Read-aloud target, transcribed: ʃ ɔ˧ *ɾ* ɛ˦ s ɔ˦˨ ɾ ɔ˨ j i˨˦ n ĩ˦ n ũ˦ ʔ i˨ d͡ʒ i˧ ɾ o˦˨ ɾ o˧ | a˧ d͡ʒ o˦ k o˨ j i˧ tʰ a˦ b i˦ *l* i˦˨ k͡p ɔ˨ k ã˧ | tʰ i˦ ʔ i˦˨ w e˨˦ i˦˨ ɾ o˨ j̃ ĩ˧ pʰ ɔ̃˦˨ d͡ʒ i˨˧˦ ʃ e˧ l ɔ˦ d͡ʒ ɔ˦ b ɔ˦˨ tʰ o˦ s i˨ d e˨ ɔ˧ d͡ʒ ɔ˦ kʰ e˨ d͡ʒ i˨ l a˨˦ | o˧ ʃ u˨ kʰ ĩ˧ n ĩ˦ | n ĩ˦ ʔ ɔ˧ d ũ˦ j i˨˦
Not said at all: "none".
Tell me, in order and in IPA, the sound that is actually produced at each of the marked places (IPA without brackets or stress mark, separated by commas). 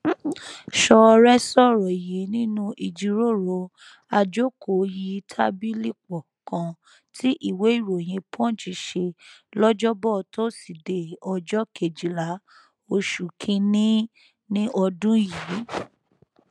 ɾ, l